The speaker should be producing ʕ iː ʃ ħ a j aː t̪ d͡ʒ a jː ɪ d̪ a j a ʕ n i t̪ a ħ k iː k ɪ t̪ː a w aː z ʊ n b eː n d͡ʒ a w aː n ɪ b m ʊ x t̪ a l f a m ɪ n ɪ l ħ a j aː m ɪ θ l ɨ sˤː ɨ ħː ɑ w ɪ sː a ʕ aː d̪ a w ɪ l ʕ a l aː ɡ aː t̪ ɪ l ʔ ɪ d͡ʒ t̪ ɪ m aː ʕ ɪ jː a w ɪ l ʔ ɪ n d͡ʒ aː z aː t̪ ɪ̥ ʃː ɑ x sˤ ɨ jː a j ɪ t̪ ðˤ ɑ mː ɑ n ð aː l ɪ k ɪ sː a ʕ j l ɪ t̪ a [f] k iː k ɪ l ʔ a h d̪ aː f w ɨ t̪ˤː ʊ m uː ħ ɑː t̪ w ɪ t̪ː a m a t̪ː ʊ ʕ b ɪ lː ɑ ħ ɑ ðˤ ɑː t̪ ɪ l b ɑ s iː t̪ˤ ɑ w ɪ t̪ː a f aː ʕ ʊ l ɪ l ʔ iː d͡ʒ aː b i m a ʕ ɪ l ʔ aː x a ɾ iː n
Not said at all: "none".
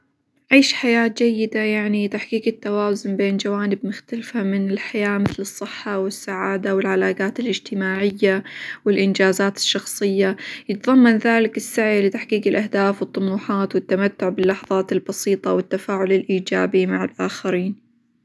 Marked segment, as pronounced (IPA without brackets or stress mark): ħ